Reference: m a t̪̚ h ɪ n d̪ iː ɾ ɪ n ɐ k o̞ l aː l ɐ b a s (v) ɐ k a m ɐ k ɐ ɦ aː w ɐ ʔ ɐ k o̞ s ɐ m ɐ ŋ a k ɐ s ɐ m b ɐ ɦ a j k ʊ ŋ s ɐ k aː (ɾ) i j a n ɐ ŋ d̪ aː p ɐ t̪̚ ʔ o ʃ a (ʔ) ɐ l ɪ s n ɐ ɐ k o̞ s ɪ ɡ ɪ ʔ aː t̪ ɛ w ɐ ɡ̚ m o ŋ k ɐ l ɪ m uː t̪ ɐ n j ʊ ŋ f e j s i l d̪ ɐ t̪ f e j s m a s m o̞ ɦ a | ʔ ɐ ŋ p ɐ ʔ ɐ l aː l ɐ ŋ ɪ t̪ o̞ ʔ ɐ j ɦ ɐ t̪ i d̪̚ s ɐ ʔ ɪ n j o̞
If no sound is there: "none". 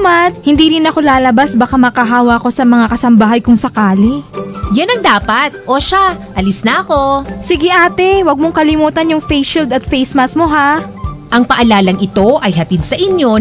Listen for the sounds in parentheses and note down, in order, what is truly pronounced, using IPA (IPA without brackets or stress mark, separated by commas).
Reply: b, l, ʔ